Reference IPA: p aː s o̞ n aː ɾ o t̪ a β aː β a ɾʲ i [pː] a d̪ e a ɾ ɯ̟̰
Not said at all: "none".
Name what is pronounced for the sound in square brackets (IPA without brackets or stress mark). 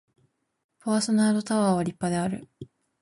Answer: pː